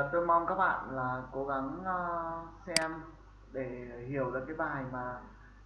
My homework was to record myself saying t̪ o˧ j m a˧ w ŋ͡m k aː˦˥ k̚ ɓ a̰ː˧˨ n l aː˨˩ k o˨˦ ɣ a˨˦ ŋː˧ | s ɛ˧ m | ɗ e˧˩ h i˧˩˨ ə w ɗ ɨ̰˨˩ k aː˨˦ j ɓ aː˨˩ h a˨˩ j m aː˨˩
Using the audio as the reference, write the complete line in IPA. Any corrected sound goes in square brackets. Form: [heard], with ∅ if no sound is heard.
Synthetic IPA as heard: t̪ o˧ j m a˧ w ŋ͡m k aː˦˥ k̚ ɓ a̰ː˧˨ n l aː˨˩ k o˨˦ ɣ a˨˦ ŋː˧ | s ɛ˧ m | ɗ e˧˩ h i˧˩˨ ə w ɗ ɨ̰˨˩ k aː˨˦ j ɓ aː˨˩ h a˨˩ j m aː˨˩